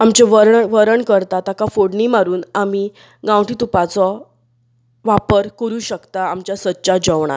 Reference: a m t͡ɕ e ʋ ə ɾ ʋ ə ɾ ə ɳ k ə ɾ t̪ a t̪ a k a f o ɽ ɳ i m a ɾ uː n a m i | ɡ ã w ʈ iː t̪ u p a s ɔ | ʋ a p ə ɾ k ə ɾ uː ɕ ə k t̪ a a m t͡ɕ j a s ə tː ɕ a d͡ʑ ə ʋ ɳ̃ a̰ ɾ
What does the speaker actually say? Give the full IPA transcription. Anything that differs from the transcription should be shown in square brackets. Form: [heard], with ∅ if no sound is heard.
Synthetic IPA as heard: a m t͡ɕ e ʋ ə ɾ ʋ ə ɾ ə ɳ k ə ɾ t̪ a t̪ a k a f o ɽ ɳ i m a ɾ uː n a m i | ɡ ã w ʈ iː t̪ u p a [t͡s] ɔ | ʋ a p ə ɾ k ə ɾ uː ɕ ə k t̪ a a m t͡ɕ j a s ə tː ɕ a d͡ʑ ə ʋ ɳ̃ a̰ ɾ